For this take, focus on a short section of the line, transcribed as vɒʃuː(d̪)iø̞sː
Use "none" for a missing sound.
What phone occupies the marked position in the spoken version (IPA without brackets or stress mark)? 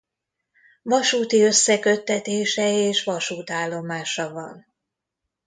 t̪